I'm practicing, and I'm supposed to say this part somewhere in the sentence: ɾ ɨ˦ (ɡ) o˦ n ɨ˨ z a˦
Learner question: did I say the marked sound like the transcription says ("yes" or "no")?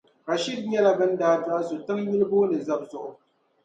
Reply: no